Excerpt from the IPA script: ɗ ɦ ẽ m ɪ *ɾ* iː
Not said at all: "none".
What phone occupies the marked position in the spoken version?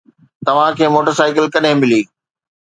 l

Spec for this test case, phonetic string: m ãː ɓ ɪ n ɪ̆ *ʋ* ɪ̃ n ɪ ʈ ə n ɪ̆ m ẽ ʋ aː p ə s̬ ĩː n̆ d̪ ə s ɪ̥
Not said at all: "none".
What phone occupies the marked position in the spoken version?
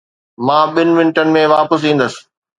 ʋ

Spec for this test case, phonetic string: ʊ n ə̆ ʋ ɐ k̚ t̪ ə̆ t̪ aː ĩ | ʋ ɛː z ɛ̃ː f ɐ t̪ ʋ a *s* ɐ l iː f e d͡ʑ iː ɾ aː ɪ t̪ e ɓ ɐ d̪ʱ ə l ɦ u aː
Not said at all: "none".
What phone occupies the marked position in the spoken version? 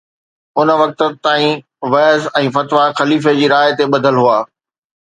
x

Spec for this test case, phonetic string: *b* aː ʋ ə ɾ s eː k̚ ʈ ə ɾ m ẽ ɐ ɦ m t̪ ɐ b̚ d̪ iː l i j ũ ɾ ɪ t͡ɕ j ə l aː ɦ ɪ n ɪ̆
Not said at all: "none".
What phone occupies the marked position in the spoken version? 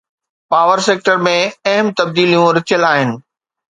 p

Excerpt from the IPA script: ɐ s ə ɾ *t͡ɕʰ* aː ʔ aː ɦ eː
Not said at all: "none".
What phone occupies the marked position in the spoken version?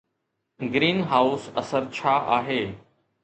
t͡ɕʰ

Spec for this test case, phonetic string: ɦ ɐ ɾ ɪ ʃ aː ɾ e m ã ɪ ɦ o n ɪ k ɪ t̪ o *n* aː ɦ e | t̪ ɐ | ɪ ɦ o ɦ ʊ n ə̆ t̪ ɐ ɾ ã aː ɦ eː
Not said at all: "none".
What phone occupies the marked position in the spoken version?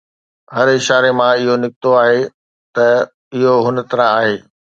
none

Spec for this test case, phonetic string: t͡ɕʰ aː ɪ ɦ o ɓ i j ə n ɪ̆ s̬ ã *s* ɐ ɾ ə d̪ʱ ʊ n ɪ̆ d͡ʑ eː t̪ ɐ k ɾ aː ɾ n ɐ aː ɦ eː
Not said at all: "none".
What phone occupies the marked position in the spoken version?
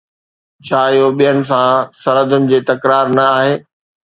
s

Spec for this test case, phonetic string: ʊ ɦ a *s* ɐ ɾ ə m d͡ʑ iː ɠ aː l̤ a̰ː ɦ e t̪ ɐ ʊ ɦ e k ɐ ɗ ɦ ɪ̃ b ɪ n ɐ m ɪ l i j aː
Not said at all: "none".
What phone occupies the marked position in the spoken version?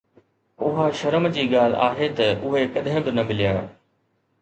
ʃ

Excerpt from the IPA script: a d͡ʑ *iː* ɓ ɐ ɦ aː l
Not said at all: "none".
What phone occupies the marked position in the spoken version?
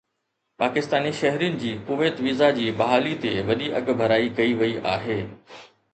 iː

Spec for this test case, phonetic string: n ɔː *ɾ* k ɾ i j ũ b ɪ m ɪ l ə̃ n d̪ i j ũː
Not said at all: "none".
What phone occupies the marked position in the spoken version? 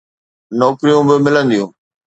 none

